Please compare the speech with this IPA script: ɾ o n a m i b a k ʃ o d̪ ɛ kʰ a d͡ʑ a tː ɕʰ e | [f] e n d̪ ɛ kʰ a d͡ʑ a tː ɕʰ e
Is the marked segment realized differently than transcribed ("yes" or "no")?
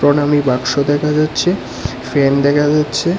no